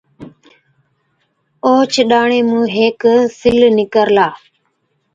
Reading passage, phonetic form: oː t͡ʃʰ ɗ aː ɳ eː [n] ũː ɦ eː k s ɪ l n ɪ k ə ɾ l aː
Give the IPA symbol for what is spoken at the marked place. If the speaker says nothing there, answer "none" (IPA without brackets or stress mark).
m